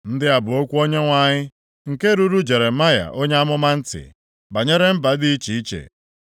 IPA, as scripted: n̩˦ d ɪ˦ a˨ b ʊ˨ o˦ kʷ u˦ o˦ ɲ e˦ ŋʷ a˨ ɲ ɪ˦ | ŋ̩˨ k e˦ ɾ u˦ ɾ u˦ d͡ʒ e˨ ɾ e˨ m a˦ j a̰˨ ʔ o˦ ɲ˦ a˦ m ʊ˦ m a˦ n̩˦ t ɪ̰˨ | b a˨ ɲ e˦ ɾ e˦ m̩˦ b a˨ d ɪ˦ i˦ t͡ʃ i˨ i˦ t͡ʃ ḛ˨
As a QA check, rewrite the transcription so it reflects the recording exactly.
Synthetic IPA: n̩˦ d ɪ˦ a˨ b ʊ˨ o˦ kʷ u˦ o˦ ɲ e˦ ŋʷ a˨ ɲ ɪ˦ | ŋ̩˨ k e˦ ɾ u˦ ɾ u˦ d͡ʒ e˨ ɾ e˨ m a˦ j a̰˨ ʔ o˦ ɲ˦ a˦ m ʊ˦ m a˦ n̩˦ t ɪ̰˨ | b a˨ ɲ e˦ ɾ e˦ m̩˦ b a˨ d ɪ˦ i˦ t͡ʃ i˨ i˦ t͡ʃ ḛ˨